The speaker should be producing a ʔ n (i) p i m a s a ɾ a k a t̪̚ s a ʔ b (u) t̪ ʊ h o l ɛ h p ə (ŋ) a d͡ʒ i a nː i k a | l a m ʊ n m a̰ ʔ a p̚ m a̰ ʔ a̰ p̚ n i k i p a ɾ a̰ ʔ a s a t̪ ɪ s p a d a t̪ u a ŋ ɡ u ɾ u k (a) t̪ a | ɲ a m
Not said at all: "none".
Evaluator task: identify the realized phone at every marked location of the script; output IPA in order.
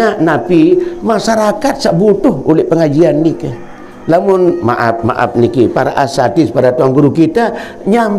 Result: a, u, ŋ, i

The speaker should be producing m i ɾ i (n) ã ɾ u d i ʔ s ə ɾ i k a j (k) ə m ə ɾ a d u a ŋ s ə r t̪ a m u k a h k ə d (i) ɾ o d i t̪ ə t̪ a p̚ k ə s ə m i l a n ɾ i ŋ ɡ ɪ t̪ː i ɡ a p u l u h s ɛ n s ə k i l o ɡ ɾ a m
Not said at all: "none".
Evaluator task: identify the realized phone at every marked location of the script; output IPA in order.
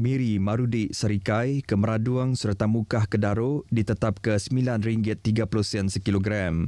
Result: m, k, a

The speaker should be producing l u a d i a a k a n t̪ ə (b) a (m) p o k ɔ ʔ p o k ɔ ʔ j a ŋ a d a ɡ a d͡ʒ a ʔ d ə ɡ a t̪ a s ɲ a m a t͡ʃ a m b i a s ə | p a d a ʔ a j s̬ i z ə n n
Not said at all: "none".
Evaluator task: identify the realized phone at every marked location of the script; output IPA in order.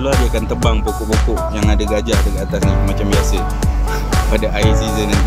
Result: b, ŋ

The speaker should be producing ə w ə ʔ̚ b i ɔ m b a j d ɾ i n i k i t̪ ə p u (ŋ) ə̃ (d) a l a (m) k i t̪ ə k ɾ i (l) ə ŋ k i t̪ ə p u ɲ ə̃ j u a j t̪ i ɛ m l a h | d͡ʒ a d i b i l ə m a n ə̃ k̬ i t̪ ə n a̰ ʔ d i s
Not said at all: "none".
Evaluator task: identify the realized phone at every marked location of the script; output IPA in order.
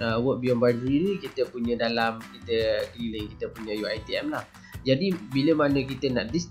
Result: ɲ, d, m, l

